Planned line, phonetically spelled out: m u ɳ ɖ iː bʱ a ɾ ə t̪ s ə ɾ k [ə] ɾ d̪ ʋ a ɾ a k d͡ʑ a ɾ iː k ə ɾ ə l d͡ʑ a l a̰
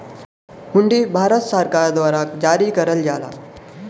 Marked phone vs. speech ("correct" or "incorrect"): incorrect